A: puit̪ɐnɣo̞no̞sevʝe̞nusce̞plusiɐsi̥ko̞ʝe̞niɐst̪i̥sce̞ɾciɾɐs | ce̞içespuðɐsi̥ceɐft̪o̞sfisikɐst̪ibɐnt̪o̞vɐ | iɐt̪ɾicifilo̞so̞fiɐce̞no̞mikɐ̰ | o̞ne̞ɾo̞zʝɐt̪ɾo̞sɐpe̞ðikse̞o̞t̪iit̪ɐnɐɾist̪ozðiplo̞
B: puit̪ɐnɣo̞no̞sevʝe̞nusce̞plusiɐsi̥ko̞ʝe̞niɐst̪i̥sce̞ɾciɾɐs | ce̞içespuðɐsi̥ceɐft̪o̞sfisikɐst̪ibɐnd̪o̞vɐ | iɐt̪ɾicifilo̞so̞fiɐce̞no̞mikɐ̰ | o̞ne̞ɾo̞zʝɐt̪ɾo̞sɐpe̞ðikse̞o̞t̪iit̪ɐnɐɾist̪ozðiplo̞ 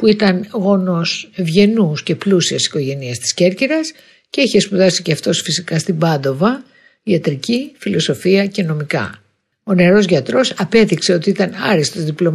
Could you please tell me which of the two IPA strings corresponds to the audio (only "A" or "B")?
B